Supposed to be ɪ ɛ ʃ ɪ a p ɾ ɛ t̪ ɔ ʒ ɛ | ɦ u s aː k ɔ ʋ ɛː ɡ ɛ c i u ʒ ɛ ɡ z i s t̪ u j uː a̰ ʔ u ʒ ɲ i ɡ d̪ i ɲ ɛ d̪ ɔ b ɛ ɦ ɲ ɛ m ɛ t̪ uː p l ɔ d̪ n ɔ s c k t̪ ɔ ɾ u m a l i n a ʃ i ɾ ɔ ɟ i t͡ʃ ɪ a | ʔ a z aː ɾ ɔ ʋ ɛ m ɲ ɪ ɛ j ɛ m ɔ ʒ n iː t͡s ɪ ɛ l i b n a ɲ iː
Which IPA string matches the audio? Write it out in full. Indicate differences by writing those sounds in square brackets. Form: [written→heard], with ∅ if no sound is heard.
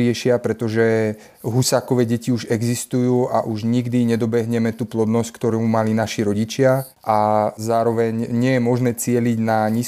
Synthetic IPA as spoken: ɪ ɛ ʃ ɪ a p ɾ ɛ t̪ ɔ ʒ ɛ | ɦ u s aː k ɔ ʋ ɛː [ɡ→ɟ] ɛ c i u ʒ ɛ ɡ z i s t̪ u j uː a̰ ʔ u ʒ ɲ i ɡ d̪ i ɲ ɛ d̪ ɔ b ɛ ɦ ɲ ɛ m ɛ t̪ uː p l ɔ d̪ n ɔ s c k t̪ ɔ ɾ u m a l i n a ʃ i ɾ ɔ ɟ i t͡ʃ ɪ a | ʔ a z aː ɾ ɔ ʋ ɛ [m→ɲ] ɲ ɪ ɛ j ɛ m ɔ ʒ n [iː→ɛː] t͡s ɪ ɛ l i [b→ɟ] n a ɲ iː